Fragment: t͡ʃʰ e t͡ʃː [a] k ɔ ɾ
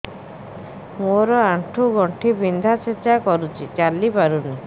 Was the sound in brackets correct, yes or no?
yes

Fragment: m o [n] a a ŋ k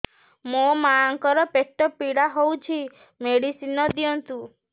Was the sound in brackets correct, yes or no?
no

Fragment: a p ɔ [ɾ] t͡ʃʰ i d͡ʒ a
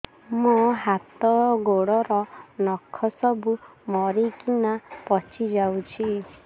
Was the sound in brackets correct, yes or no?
no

